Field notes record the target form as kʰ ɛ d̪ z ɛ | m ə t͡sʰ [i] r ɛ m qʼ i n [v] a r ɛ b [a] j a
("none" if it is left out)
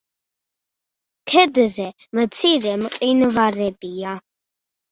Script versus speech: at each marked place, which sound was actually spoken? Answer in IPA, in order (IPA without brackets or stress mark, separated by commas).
i, v, i